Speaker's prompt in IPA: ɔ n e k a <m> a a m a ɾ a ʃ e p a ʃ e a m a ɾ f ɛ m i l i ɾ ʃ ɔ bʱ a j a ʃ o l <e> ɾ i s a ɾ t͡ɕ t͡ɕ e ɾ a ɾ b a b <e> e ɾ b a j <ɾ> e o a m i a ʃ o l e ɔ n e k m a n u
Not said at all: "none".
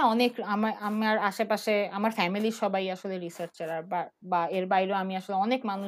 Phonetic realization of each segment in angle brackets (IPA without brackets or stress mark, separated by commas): m, e, a, ɾ